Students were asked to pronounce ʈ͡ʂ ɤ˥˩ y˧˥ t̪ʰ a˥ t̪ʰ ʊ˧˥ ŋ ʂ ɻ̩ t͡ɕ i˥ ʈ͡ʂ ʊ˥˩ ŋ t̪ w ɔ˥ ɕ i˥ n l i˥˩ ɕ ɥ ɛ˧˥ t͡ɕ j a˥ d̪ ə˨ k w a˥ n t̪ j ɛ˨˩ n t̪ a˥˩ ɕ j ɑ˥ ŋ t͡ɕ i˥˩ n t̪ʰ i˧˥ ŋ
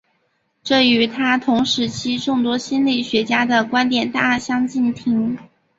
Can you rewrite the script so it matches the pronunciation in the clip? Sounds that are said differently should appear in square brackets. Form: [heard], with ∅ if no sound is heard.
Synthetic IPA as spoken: ʈ͡ʂ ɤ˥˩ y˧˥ t̪ʰ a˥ t̪ʰ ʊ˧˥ ŋ ʂ ɻ̩ [t͡ɕʰ] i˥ ʈ͡ʂ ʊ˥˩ ŋ t̪ w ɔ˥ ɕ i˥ n l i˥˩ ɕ ɥ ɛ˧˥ t͡ɕ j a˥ d̪ ə˨ k w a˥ n t̪ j ɛ˨˩ n t̪ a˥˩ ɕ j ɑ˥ ŋ t͡ɕ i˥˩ n t̪ʰ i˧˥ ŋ